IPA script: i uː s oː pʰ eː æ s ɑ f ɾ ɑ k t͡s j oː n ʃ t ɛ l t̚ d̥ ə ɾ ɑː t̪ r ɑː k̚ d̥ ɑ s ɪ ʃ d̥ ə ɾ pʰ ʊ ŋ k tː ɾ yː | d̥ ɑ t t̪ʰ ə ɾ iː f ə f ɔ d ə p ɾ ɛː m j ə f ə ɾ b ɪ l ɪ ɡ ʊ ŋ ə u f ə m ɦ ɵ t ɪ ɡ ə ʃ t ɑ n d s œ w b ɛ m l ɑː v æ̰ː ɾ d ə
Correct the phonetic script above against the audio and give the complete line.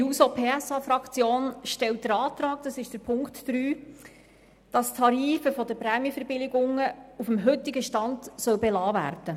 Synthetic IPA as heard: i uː s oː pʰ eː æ s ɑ f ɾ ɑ k t͡s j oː n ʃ t ɛ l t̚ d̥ ə ɾ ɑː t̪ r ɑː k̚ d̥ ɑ s ɪ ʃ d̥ ə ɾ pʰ ʊ ŋ k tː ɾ yː | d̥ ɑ s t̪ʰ ɑ ɾ iː f ə f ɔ d ə p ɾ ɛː m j ə f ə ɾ b ɪ l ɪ ɡ ʊ ŋ ə u f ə m ɦ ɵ t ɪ ɡ ə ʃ t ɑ n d s œ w b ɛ l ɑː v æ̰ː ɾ d ə